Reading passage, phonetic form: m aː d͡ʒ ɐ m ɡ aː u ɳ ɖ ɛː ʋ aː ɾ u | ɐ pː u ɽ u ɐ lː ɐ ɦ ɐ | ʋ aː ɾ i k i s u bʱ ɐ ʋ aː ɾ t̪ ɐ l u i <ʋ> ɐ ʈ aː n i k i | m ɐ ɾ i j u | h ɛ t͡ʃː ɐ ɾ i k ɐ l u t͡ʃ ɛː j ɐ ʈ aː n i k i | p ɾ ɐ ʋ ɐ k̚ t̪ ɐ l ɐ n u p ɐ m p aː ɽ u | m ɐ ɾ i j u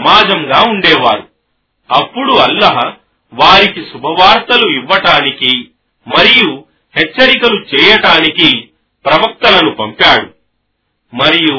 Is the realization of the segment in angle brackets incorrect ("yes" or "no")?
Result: yes